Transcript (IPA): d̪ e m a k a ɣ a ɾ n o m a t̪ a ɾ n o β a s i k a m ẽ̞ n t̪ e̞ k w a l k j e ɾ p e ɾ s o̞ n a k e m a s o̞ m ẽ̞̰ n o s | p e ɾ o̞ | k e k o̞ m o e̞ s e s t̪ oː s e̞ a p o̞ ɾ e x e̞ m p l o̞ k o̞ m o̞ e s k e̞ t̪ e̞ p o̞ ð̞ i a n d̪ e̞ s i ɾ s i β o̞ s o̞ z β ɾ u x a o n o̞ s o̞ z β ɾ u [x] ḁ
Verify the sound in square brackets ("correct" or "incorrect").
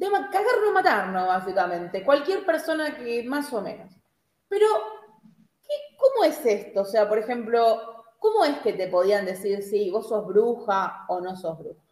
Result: correct